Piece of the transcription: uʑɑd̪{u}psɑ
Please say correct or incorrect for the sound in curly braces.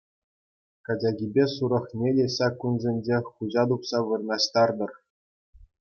correct